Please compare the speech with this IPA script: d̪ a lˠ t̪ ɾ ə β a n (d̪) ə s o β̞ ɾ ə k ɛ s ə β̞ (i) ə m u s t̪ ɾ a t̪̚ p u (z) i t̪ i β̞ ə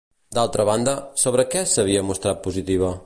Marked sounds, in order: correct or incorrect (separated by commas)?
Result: correct, correct, correct